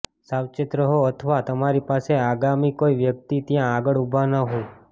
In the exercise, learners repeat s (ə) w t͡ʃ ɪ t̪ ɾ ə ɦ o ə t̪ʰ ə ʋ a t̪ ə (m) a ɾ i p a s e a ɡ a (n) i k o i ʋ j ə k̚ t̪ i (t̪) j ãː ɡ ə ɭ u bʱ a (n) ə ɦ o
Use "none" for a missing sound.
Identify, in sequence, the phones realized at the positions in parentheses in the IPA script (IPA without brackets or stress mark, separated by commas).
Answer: a, m, m, t̪, n